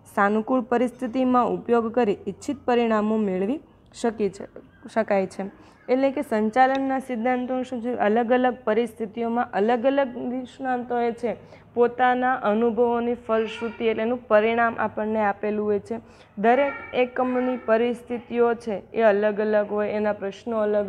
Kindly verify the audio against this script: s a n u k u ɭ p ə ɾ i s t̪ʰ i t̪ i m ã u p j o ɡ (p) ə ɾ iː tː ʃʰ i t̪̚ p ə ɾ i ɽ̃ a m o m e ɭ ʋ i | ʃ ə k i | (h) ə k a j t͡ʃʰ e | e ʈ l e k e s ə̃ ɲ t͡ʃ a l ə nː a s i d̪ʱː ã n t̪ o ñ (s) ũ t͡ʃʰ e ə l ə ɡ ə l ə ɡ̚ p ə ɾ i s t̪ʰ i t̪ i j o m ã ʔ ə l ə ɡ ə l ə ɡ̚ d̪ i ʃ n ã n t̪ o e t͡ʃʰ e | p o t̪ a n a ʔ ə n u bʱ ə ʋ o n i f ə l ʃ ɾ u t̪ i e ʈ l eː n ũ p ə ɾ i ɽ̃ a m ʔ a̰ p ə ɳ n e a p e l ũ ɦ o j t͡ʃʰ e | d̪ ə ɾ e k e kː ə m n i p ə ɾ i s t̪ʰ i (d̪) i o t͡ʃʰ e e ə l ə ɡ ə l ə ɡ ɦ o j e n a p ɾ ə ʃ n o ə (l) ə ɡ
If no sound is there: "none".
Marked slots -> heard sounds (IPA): k, ʃ, ʃ, t̪, l

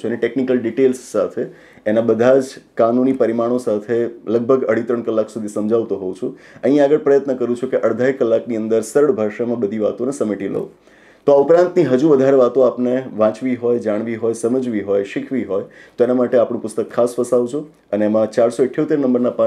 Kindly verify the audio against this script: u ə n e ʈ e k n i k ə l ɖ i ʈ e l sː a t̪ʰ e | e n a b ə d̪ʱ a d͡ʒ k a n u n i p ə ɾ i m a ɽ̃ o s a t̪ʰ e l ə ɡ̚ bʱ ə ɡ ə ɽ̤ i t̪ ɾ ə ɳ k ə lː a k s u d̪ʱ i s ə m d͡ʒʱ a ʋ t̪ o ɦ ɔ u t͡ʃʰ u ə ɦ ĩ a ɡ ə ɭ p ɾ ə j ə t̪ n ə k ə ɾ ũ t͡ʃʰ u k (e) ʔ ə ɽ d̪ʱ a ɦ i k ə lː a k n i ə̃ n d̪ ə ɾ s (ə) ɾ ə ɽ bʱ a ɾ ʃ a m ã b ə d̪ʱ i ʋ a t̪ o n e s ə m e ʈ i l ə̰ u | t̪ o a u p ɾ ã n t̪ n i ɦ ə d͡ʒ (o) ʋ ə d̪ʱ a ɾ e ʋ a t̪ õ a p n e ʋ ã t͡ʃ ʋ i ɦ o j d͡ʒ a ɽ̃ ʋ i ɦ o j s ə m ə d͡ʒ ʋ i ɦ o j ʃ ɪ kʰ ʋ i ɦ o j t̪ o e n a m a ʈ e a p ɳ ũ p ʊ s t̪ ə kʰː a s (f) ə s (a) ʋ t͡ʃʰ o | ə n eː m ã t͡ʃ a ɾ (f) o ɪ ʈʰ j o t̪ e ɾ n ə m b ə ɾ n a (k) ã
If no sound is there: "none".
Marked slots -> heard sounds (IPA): e, ə, u, f, a, s, p

